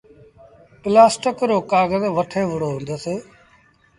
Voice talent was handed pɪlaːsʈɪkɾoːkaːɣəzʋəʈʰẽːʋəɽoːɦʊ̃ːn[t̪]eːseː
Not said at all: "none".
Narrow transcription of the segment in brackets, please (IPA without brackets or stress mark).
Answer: d̪